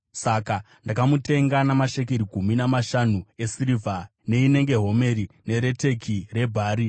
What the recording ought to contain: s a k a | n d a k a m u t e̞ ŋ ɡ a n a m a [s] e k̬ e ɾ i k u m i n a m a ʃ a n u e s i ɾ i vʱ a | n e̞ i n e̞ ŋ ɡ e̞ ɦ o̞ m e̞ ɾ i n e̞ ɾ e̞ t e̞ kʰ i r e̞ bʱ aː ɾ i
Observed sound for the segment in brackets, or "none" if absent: ʃ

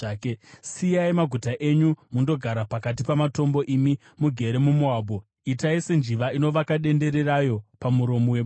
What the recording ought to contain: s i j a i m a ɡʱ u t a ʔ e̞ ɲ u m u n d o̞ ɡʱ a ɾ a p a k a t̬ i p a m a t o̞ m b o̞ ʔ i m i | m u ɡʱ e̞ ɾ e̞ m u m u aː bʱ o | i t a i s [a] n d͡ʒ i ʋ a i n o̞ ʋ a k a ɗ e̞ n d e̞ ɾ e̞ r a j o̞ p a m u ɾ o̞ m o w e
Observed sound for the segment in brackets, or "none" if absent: e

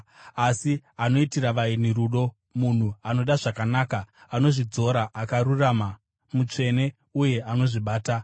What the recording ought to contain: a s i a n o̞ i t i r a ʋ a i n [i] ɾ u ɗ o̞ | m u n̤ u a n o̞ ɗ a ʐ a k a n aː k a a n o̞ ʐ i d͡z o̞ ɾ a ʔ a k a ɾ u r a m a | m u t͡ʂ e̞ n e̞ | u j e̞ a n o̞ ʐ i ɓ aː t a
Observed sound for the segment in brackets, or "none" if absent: i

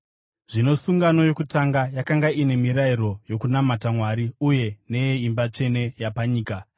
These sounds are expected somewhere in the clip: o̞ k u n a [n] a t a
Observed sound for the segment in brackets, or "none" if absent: m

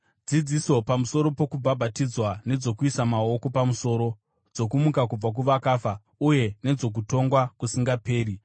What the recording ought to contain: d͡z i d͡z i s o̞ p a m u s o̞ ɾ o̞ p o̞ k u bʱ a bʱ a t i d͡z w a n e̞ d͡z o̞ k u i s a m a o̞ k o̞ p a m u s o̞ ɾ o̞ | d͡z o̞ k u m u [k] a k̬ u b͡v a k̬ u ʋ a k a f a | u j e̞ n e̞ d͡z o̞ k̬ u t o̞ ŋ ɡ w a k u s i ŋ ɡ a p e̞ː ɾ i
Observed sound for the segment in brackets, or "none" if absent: k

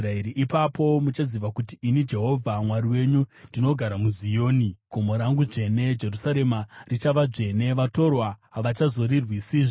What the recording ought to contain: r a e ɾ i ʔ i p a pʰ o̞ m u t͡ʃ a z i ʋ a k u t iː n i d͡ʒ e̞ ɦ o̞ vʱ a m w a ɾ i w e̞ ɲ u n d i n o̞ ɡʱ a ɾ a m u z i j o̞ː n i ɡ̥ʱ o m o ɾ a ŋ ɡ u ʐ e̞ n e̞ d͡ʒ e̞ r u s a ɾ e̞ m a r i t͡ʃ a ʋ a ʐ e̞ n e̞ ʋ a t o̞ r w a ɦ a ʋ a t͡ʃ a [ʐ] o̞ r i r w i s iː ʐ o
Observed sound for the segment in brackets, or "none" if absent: z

